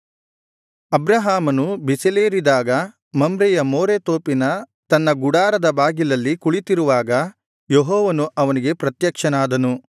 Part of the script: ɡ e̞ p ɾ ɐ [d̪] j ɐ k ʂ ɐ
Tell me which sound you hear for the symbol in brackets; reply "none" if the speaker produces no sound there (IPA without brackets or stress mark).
t̪